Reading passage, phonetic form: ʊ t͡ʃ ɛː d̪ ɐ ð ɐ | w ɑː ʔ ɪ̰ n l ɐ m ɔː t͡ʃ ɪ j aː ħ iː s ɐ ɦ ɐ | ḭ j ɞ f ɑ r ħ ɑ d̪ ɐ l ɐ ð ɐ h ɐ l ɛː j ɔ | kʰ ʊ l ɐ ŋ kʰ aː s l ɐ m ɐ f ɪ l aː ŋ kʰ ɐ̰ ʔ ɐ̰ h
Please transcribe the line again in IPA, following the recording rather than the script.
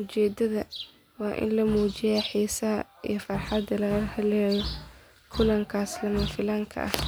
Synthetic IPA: ʊ t͡ʃ ɛː d̪ ɐ ð ɐ | w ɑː ʔ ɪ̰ n l ɐ m uː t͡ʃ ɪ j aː ħ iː s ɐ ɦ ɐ | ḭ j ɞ f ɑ r ħ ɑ d̪ ɐ l ɐ ɣ ɐ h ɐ l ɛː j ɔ | kʰ ʊ l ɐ ŋ kʰ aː s l ɐ m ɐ f ɪ l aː ŋ kʰ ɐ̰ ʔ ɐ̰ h

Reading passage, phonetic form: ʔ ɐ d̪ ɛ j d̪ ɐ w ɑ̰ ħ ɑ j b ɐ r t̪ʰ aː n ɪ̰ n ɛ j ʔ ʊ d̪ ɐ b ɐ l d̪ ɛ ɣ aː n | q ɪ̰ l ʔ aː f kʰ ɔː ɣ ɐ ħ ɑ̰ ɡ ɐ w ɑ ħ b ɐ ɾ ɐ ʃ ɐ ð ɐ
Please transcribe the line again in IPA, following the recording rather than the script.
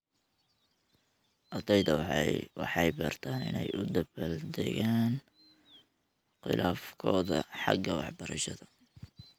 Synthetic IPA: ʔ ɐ d̪ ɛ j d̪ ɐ w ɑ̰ ħ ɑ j b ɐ r t̪ʰ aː n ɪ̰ n ɛ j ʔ ʊ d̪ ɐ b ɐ l d̪ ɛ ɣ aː n | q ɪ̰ l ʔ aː f kʰ ɔː ð ɐ ħ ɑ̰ ɡ ɐ w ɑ ħ b ɐ ɾ ɐ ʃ ɐ ð ɐ

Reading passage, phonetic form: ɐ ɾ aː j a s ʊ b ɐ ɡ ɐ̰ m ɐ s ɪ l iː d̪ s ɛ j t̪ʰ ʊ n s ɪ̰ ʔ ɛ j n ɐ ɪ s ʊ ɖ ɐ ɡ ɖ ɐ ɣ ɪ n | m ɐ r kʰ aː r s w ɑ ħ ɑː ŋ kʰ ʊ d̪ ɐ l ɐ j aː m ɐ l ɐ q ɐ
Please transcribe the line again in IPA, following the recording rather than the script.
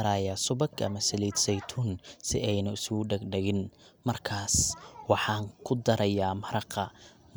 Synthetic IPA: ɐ ɾ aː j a s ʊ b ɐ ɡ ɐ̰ m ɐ s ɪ l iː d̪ s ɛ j t̪ʰ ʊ n s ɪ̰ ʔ ɛ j n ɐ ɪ s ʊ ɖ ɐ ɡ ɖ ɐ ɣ ɪ n | m ɐ r kʰ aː s w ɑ ħ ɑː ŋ kʰ ʊ d̪ ɐ ɾ ɐ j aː m ɐ ɾ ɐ q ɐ

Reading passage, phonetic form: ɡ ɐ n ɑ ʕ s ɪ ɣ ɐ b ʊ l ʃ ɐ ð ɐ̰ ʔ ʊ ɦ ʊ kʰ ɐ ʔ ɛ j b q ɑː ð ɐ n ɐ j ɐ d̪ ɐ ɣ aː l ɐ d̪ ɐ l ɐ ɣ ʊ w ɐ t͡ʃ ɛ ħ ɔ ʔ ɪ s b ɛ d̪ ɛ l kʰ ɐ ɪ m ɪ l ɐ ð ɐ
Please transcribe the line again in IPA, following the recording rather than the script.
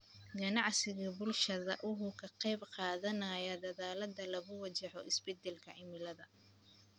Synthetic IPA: ɡ ɐ n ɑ ʕ s ɪ ɣ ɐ b ʊ l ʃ ɐ ð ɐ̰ ʔ ʊ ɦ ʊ kʰ ɐ q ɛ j b q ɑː ð ɐ n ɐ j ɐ d̪ ɐ ð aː l ɐ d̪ ɐ l ɐ ɣ ʊ w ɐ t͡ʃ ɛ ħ ɔ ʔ ɪ s b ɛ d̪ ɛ l kʰ ɐ ɪ m ɪ l ɐ ð ɐ

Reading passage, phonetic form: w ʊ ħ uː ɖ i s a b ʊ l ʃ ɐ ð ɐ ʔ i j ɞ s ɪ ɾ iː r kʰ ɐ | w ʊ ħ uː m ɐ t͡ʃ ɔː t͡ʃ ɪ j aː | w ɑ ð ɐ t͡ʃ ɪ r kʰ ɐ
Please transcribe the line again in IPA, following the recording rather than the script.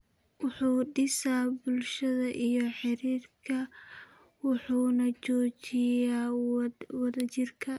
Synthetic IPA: w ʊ ħ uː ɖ ɪ s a b ʊ l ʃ ɐ ð ɐ ʔ i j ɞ ħ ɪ ɾ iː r kʰ ɐ | w ʊ ħ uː n ɐ t͡ʃ ɔː t͡ʃ ɪ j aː | w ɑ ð ɐ t͡ʃ ɪ r kʰ ɐ

